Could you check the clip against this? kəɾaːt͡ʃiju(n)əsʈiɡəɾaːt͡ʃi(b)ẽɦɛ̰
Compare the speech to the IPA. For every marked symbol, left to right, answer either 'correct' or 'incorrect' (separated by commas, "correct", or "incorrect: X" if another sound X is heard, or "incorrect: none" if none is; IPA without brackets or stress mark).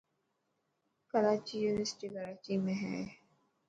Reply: correct, incorrect: m